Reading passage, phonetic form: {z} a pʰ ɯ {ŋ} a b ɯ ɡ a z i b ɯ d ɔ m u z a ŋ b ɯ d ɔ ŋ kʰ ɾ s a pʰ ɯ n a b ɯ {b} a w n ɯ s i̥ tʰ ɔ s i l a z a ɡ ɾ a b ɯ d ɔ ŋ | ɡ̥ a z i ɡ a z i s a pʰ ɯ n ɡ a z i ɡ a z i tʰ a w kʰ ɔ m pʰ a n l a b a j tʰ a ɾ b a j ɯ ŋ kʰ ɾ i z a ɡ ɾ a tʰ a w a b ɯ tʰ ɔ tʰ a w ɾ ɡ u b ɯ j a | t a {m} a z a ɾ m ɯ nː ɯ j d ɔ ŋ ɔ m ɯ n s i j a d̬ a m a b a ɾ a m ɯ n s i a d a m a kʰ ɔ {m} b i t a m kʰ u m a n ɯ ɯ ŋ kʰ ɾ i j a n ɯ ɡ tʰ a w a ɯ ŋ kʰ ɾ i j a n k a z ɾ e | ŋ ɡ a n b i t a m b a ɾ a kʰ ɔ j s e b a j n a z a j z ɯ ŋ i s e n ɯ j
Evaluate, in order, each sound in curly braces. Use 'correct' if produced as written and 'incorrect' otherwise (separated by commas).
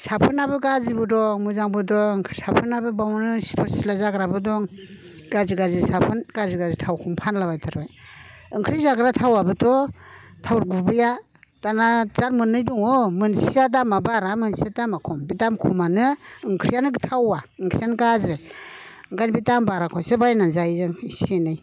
incorrect, incorrect, correct, incorrect, correct